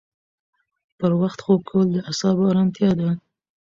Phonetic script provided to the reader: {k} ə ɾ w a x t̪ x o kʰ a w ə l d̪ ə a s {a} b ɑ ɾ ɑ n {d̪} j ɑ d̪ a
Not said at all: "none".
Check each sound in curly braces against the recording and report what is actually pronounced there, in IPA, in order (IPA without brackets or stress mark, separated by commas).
p, ɑ, t̪